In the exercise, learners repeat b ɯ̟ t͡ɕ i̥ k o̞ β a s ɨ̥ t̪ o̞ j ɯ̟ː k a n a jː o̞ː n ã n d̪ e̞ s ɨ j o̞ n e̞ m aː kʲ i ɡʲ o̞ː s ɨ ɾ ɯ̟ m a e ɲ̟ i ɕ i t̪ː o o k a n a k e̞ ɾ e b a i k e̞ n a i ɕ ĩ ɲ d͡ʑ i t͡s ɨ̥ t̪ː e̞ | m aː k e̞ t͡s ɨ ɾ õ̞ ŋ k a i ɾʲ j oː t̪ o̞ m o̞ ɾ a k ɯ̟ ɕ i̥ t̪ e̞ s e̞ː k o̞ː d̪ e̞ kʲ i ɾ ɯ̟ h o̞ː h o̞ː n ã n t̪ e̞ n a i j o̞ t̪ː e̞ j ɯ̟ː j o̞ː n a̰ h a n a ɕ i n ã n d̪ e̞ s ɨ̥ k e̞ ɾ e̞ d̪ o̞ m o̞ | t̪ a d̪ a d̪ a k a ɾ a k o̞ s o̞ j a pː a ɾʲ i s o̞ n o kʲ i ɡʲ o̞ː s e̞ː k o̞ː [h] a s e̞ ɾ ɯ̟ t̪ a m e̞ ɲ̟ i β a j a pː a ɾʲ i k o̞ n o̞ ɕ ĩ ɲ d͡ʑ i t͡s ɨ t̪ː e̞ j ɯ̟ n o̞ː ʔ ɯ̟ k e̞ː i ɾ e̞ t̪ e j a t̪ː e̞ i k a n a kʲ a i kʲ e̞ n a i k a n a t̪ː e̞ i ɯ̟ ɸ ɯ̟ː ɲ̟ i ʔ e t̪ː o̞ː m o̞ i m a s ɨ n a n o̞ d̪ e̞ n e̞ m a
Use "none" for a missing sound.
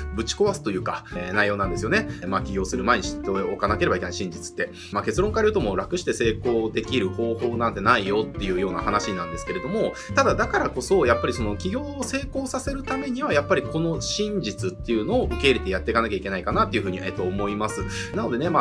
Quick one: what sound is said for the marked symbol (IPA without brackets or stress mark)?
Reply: s